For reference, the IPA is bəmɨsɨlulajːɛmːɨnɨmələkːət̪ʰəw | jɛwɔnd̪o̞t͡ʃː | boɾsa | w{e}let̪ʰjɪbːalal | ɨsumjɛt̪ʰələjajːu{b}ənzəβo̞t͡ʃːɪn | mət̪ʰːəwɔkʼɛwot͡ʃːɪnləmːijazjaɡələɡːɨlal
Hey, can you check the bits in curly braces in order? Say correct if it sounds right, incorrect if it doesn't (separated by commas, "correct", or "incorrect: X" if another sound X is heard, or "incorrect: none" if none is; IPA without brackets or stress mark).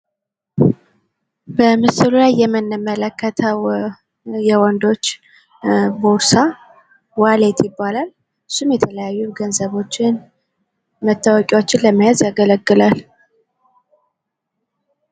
incorrect: a, incorrect: ɡ